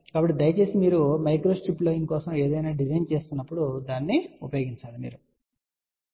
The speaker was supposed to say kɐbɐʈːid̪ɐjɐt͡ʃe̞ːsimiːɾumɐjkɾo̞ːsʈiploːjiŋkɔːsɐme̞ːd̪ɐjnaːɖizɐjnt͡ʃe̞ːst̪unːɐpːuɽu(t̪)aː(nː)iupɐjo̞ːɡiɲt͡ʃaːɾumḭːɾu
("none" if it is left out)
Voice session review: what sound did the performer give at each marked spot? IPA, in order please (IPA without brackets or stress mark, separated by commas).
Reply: d̪, nː